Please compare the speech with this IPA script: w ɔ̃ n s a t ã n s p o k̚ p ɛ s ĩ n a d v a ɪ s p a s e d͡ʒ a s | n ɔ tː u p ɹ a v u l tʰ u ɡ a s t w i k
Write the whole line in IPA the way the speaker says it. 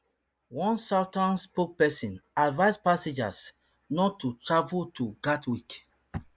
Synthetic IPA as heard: w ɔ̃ n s a t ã n s p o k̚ p ɛ s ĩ n a d v a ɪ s p a s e d͡ʒ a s | n ɔ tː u t ɹ a v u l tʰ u ɡ a t w i k